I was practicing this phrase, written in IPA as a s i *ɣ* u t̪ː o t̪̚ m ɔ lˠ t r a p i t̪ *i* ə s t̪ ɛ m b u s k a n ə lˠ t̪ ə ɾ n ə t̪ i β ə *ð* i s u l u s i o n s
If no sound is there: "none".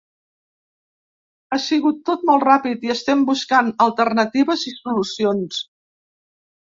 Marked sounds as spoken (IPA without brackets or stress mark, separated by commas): ɣ, i, z